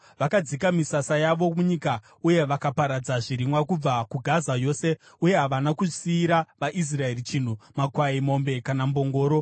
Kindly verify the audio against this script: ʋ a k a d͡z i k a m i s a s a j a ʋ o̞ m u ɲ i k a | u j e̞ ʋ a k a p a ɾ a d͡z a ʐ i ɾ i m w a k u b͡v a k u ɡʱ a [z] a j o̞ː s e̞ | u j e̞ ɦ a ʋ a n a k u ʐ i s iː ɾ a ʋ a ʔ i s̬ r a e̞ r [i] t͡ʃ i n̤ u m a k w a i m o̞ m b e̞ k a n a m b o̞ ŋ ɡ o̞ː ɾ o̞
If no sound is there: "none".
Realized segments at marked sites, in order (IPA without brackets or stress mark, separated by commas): z, i